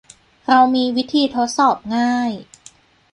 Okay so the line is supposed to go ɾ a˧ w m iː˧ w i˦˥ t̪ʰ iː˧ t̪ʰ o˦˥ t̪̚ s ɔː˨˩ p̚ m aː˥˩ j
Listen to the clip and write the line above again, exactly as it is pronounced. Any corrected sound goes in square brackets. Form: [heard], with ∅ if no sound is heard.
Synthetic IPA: ɾ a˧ w m iː˧ w i˦˥ t̪ʰ iː˧ t̪ʰ o˦˥ t̪̚ s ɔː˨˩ p̚ [ŋ] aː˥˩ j

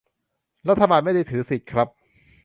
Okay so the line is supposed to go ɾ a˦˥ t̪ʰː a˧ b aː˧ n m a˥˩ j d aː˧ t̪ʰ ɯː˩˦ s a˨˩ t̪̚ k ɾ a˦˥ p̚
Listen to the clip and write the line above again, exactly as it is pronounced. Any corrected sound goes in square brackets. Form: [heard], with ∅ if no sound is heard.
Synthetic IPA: ɾ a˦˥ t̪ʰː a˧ b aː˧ n m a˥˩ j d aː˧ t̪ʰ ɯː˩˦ s [i˨˩] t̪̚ [kʰ] ɾ a˦˥ p̚

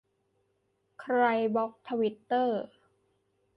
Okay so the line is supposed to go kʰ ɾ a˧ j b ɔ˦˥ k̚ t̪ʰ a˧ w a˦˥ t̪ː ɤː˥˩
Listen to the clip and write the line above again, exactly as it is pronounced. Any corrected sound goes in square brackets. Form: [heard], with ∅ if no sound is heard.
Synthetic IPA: kʰ ɾ a˧ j b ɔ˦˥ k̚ t̪ʰ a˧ w [i˦˥] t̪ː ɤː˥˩

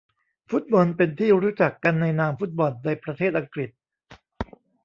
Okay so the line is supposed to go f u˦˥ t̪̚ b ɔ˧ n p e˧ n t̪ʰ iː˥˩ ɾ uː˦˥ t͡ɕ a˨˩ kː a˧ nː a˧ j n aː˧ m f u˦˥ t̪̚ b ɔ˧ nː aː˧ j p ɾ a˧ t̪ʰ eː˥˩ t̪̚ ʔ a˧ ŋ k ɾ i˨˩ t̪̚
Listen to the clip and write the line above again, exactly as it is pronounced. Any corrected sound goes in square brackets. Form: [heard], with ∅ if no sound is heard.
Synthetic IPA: f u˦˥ t̪̚ b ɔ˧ n p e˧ n t̪ʰ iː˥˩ ɾ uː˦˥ t͡ɕ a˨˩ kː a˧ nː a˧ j n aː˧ m f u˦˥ t̪̚ b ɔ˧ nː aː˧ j p ɾ a˧ t̪ʰ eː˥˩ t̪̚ ʔ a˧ ŋ k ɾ i˨˩ t̪̚

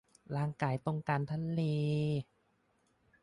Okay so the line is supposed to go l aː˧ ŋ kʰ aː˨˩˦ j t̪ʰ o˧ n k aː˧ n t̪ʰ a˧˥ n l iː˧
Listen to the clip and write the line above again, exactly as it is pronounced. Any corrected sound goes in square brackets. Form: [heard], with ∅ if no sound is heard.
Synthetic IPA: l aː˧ ŋ [k] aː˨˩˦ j [t̪] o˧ [ŋ] k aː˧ n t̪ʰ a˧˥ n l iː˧

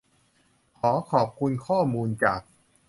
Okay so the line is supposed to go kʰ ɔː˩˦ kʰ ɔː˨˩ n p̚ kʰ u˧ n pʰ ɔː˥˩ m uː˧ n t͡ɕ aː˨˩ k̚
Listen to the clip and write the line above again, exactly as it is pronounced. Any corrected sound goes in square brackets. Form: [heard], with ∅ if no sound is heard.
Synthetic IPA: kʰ ɔː˩˦ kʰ ɔː˨˩ [∅] p̚ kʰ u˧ n [kʰ] ɔː˥˩ m uː˧ n t͡ɕ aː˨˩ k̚

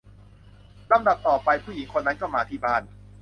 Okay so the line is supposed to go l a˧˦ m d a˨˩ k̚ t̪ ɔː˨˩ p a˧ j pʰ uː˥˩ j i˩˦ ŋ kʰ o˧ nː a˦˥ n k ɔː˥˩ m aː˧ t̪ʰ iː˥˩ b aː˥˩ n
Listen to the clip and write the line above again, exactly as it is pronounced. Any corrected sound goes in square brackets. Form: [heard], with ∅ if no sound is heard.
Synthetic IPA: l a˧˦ m d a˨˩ [p̚] t̪ ɔː˨˩ p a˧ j pʰ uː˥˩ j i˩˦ ŋ kʰ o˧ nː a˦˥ n k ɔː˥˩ m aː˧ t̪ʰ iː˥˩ b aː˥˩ n

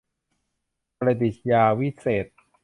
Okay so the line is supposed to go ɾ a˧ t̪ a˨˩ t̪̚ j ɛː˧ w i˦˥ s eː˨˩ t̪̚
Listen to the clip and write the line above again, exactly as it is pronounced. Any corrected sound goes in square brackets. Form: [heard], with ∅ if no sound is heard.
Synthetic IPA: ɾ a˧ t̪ [i˨˩] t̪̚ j [aː˧] w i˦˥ s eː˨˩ t̪̚

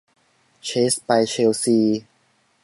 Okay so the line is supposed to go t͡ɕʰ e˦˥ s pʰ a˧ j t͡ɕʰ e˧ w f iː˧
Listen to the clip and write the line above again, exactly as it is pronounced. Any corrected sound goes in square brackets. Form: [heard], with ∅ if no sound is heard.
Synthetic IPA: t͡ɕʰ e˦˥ s [p] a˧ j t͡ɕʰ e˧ w [s] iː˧

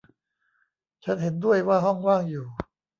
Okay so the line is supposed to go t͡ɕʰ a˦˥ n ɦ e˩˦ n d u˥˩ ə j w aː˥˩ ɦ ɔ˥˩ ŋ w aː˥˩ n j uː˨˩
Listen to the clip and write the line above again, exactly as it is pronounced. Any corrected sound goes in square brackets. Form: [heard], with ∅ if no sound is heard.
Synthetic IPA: t͡ɕʰ a˦˥ n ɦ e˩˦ n d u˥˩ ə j w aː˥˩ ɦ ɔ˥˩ ŋ w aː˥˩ [ŋ] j uː˨˩

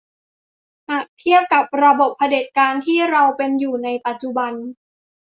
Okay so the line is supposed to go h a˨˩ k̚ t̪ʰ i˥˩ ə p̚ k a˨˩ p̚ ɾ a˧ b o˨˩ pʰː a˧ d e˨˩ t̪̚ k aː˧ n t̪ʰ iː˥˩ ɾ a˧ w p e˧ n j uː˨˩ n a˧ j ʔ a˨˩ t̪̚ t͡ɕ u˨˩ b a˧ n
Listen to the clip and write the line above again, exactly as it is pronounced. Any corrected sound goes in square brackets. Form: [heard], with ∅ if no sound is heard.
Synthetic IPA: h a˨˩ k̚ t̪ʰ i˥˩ ə p̚ k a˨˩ p̚ ɾ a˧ b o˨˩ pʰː a˧ d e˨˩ t̪̚ k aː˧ n t̪ʰ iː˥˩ ɾ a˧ w p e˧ n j uː˨˩ n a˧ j [p] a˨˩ t̪̚ t͡ɕ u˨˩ b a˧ n

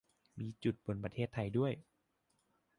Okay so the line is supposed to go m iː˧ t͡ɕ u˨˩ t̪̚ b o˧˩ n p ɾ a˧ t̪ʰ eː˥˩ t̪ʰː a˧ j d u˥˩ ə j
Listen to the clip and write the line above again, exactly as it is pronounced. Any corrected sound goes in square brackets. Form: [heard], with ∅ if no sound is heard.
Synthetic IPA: m iː˧ t͡ɕ u˨˩ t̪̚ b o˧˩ n p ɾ a˧ t̪ʰ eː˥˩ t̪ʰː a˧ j d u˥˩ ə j

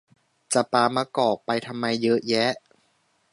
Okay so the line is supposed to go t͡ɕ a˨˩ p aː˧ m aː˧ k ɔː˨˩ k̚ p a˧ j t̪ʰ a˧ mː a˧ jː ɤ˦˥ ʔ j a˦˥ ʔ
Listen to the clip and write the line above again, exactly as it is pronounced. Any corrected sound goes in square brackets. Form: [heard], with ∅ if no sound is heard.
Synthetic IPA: t͡ɕ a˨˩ p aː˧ m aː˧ k ɔː˨˩ k̚ p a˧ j t̪ʰ a˧ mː a˧ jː ɤ˦˥ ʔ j [ɛ˦˥] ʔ

